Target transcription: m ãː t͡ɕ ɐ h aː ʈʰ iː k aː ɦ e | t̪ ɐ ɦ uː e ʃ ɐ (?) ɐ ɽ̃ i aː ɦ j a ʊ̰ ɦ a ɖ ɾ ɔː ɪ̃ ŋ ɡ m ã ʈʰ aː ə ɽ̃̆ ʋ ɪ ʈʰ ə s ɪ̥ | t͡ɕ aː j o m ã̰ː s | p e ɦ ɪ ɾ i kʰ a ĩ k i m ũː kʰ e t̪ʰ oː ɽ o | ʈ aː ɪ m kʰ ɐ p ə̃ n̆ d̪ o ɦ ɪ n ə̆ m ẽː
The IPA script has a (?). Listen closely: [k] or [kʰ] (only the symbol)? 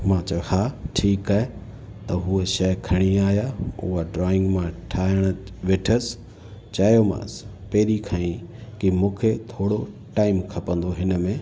kʰ